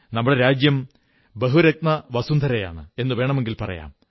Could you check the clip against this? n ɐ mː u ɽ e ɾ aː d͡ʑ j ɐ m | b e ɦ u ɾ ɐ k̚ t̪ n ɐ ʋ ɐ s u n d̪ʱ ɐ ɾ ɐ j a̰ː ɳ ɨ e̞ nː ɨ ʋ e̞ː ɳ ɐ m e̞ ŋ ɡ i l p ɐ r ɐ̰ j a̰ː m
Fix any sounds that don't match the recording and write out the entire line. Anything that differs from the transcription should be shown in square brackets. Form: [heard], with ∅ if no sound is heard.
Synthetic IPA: n ɐ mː u ɽ e ɾ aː d͡ʑ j ɐ m | b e ɦ u ɾ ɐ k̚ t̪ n ɐ ʋ ɐ s u n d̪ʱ ɐ ɾ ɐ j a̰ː ɳ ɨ e̞ nː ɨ ʋ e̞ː ɳ ɐ m e̞ ŋ ɡ i l p ɐ r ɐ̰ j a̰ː m